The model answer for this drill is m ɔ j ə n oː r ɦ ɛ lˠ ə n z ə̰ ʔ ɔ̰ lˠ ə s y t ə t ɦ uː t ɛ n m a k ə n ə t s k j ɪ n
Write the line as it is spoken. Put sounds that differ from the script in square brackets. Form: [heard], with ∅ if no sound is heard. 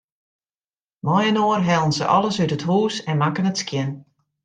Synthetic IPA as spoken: m ɔ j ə n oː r ɦ ɛ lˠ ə n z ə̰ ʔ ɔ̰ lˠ ə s y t ə t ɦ uː [s] ɛ n m a k ə n ə t s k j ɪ n